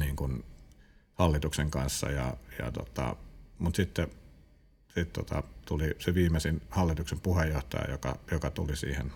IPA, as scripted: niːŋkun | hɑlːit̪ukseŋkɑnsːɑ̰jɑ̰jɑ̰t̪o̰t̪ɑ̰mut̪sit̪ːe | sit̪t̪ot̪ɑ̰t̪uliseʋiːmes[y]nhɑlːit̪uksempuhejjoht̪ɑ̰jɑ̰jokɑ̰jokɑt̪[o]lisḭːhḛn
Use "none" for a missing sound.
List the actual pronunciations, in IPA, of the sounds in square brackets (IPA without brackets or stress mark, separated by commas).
i, u